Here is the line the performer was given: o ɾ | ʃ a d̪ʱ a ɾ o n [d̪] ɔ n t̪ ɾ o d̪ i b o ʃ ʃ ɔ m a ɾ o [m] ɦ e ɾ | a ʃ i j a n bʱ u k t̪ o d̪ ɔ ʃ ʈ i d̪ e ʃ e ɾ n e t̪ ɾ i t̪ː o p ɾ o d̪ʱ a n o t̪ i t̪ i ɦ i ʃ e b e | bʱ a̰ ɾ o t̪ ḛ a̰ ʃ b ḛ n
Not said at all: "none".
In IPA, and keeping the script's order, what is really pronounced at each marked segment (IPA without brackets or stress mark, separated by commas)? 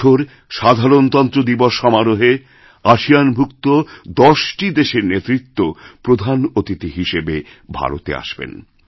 t̪, none